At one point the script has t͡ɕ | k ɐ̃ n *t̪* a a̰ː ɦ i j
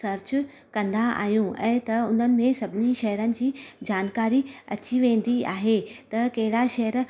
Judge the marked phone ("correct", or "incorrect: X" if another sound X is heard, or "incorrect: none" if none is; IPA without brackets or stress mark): incorrect: d̪